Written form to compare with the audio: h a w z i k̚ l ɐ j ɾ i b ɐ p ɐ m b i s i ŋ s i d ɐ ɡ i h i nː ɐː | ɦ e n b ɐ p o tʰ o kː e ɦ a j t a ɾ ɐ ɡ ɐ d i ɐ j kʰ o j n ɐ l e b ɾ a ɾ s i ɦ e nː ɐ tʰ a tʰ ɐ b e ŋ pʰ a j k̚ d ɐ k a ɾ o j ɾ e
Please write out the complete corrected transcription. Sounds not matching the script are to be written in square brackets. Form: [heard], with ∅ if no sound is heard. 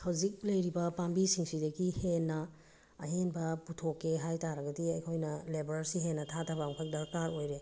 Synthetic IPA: h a w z i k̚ l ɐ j ɾ i b ɐ p [a] m b i s i ŋ s i d ɐ ɡ i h [e] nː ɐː | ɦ e n b ɐ p [u] tʰ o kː e ɦ a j t a ɾ ɐ ɡ ɐ d i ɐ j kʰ o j n ɐ l e b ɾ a ɾ s i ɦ e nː ɐ tʰ a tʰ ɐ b [a] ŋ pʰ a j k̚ d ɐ k a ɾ o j ɾ e